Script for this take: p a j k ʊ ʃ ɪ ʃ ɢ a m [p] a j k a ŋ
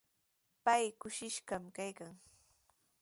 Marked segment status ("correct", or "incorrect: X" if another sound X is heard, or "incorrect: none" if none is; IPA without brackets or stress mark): incorrect: k